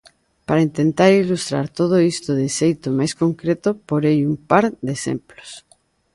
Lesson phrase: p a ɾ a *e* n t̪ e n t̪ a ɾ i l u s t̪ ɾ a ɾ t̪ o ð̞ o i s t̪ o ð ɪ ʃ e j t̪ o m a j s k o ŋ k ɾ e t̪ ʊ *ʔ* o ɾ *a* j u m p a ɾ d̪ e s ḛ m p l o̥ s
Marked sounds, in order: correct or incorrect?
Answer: incorrect, incorrect, incorrect

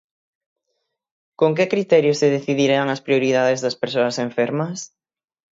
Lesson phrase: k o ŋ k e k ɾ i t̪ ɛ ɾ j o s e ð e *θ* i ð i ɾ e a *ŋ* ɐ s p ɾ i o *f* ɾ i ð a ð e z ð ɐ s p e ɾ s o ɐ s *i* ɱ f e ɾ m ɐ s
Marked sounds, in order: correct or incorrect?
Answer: correct, correct, incorrect, incorrect

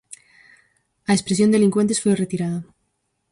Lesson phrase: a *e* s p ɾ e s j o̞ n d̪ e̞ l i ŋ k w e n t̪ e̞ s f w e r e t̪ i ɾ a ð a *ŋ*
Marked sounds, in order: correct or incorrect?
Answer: correct, incorrect

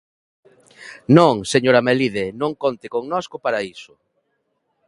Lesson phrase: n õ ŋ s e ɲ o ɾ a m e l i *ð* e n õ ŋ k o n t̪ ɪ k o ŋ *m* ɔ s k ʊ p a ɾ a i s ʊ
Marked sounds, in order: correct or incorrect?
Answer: correct, incorrect

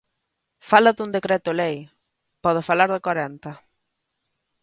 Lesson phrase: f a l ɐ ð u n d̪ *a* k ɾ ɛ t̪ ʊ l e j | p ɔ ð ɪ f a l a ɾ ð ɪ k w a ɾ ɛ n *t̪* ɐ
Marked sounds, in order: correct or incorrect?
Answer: incorrect, correct

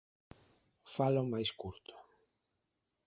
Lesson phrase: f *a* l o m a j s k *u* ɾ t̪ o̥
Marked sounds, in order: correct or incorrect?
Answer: correct, correct

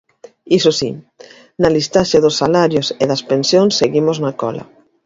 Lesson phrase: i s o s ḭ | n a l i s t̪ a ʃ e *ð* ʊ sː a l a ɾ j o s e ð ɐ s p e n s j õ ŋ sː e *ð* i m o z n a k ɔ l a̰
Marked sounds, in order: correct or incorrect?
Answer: correct, incorrect

